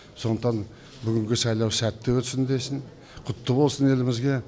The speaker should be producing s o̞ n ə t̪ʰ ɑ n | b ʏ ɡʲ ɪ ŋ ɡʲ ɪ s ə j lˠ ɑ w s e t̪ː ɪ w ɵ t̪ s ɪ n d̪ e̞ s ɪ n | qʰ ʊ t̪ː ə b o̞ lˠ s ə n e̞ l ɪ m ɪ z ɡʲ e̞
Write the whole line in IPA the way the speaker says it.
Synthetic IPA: s o̞ n ə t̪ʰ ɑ n | b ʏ ɡʲ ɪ ŋ ɡʲ ɪ s ɑ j lˠ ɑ w s æ t̪ː ɪ w ɵ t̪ s ɪ n d̪ e̞ s ɪ n | qʰ ʊ t̪ː ə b o̞ lˠ s ə n e̞ l ɪ m ɪ z ɡʲ e̞